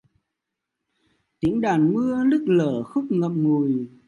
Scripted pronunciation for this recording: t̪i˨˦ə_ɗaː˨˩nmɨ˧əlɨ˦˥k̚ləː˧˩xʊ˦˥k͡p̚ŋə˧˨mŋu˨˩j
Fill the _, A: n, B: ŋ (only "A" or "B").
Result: B